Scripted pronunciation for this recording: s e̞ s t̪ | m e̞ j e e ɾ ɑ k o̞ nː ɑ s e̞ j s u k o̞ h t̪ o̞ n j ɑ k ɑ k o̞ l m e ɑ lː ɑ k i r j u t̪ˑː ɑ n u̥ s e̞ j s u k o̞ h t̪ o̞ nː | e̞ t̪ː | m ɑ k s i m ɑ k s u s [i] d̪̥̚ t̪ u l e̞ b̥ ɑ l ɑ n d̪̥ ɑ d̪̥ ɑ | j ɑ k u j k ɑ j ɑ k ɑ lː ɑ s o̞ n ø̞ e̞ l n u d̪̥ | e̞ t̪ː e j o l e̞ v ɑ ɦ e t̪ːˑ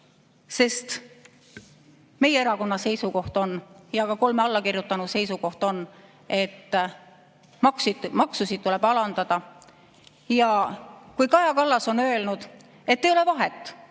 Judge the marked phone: correct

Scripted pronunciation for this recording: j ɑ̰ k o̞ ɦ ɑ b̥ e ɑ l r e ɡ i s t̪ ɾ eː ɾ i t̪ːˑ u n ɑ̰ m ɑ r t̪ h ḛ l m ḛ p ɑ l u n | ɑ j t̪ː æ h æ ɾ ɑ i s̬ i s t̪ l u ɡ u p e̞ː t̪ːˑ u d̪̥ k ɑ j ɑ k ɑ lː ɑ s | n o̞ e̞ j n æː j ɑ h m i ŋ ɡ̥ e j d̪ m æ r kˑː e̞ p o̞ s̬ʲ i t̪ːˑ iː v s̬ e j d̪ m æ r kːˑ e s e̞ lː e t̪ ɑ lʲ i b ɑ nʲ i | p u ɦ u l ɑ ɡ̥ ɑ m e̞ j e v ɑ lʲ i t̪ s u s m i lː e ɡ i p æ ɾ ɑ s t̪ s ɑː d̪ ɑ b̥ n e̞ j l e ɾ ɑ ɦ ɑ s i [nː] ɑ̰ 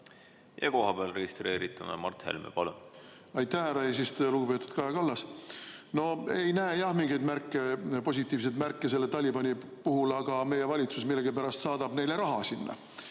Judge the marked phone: correct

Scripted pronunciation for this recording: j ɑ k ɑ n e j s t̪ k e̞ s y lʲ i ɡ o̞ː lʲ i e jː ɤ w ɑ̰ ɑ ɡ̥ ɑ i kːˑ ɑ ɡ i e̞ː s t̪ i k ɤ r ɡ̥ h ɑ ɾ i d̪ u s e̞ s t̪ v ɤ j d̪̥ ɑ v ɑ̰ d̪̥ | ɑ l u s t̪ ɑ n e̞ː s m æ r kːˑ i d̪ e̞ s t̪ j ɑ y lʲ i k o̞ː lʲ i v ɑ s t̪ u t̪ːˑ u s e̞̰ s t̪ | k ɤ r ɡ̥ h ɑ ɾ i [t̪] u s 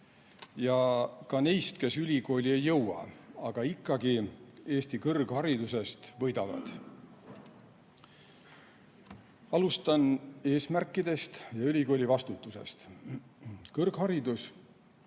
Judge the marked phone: incorrect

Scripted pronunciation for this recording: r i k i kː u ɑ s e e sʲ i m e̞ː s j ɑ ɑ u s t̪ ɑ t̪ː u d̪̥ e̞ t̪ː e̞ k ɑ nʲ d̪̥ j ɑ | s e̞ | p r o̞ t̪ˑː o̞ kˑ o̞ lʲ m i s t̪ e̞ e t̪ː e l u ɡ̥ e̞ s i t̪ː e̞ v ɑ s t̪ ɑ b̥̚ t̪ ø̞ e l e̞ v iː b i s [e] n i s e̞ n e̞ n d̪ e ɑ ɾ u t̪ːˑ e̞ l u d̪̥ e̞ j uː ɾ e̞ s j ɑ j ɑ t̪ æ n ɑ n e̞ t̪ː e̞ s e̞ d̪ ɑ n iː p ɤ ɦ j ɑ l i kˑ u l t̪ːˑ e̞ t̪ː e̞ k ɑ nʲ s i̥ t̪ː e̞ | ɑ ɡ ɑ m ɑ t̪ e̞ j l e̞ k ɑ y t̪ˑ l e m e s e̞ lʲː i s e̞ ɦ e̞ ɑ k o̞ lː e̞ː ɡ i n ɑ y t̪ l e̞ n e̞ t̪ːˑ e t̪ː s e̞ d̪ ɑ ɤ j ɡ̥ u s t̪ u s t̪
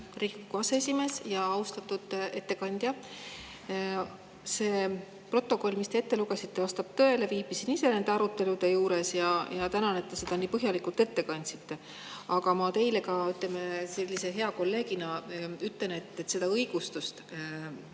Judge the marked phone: incorrect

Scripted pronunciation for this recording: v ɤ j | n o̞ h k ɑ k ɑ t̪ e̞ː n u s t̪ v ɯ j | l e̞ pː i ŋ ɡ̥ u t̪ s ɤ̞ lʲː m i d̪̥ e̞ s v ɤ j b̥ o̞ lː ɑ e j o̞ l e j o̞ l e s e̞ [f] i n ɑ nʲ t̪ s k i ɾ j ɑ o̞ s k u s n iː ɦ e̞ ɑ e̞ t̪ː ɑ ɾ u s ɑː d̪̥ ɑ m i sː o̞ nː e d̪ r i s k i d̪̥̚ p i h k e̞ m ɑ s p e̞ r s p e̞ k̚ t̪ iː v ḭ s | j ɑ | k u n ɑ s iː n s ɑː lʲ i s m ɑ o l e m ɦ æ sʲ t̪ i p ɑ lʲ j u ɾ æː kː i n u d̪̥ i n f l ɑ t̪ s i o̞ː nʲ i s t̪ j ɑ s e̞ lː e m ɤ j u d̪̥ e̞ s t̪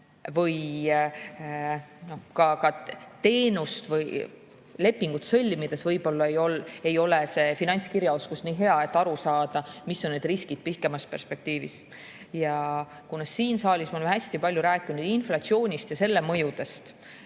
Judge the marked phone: correct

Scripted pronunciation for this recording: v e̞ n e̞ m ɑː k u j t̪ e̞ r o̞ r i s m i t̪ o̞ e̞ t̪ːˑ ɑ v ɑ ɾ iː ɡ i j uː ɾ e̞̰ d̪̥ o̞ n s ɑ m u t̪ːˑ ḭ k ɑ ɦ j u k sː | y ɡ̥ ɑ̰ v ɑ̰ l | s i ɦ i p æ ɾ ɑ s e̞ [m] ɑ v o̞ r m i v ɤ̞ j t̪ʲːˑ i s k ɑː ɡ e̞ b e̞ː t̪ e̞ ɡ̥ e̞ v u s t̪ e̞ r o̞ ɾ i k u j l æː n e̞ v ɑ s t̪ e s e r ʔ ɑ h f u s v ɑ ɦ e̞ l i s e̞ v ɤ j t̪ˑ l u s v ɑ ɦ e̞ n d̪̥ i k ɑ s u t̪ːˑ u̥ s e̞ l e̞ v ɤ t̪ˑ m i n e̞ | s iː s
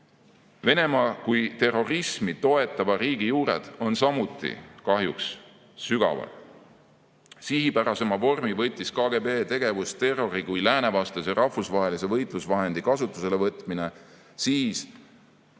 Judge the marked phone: correct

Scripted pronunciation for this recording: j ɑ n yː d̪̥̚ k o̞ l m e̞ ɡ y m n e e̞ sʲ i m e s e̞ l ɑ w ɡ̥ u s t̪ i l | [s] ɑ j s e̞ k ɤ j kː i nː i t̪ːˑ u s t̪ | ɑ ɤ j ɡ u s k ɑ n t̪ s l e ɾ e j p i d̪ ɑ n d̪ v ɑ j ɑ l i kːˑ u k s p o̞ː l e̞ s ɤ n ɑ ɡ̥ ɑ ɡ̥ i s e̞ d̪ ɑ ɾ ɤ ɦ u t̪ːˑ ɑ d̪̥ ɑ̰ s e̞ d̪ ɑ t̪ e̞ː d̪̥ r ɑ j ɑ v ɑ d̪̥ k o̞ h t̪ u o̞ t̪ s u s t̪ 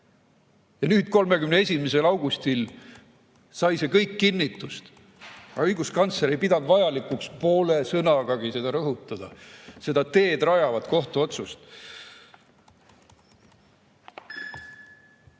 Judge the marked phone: correct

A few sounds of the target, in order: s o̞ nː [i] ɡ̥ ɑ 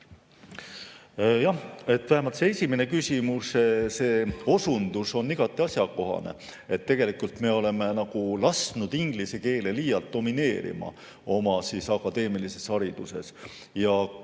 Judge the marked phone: correct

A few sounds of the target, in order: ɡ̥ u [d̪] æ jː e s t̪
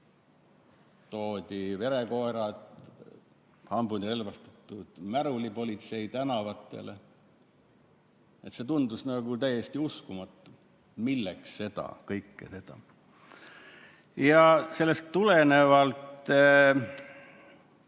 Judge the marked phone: incorrect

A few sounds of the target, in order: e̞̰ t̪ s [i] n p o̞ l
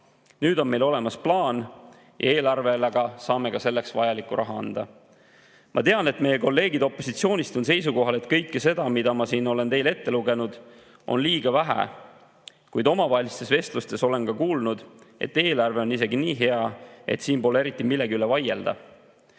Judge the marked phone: incorrect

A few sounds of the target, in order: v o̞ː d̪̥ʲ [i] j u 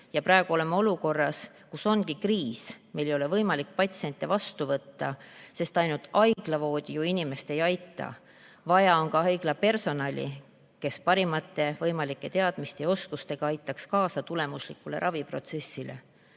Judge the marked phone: correct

